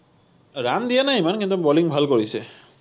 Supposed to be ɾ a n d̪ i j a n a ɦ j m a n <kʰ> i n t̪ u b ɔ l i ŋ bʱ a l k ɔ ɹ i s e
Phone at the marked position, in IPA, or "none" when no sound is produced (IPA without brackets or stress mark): k